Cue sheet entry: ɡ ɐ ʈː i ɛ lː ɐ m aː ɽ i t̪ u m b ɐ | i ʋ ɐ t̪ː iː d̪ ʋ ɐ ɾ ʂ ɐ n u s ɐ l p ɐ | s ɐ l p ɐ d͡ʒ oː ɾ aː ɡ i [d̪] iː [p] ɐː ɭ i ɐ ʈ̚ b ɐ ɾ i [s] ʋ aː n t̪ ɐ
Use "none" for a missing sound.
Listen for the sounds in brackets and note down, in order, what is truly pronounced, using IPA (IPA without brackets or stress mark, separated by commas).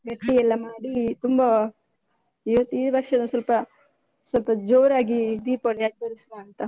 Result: d̪, p, s